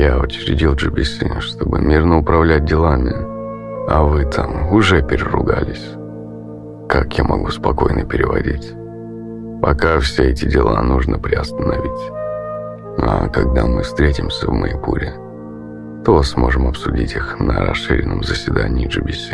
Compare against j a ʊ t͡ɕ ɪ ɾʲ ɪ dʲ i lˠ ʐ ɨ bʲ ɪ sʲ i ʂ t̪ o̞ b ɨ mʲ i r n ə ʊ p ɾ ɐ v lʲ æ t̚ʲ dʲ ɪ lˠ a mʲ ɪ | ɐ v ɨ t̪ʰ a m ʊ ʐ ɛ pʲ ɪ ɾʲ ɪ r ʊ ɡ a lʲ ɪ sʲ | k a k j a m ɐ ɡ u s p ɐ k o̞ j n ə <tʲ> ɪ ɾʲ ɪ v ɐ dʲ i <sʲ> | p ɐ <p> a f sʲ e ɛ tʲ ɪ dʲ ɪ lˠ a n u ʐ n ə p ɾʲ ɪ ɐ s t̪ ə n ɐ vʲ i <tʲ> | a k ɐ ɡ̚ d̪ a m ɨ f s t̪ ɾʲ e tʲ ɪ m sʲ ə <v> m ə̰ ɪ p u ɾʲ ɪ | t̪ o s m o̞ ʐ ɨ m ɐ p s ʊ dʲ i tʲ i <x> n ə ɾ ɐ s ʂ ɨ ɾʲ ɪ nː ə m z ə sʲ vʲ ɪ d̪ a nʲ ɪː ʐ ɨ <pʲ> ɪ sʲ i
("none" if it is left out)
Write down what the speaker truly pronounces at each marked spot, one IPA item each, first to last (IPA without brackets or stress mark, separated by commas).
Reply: pʲ, tʲ, k, tʲ, v, x, bʲ